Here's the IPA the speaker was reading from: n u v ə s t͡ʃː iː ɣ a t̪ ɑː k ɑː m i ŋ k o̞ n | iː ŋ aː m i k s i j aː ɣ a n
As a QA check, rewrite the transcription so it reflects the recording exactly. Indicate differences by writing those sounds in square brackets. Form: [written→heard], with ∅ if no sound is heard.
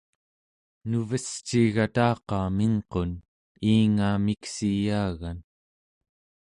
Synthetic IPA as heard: n u v ə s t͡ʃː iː ɣ a t̪ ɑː [k→q] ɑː m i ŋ [k→q] o̞ n | iː ŋ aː m i k s i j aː ɣ a n